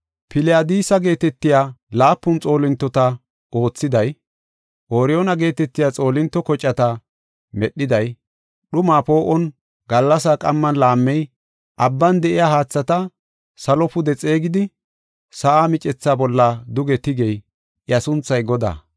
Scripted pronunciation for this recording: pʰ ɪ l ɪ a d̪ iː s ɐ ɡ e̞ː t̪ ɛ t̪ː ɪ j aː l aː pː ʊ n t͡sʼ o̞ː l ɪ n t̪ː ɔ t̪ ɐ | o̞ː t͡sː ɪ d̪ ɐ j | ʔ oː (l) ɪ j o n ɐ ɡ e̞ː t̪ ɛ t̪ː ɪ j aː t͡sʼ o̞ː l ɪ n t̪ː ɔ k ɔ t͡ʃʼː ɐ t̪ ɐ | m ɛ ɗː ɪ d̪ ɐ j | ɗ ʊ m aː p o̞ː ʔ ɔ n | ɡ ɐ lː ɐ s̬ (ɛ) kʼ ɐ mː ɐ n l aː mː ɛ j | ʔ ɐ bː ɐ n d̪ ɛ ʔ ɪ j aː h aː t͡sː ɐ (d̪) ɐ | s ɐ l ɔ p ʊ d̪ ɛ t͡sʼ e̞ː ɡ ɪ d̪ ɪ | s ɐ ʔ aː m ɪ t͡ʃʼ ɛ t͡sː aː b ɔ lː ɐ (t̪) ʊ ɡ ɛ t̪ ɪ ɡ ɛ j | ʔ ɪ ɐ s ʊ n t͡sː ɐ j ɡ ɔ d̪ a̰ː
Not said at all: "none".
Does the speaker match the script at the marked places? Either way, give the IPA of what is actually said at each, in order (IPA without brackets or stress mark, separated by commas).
ɾ, a, t̪, d̪